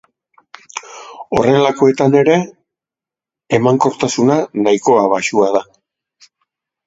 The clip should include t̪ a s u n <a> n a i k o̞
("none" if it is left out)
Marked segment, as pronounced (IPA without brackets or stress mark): a